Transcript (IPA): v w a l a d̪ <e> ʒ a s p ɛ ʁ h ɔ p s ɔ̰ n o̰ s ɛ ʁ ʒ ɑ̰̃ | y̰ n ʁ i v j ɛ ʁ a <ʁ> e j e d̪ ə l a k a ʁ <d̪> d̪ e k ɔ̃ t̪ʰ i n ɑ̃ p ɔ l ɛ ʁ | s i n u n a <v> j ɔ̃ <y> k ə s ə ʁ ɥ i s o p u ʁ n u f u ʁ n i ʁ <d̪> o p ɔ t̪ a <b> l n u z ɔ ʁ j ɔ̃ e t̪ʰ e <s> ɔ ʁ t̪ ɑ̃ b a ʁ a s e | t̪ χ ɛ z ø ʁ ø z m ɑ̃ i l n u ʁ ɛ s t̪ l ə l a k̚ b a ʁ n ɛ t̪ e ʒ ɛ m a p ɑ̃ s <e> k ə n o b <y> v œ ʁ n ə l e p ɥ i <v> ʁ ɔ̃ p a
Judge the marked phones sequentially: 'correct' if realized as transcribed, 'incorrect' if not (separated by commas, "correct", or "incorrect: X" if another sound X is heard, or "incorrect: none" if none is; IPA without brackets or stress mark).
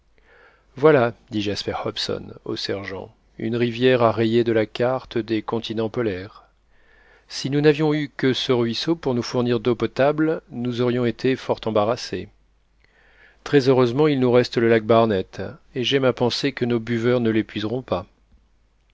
incorrect: i, correct, incorrect: t̪, correct, correct, correct, correct, incorrect: f, correct, correct, incorrect: z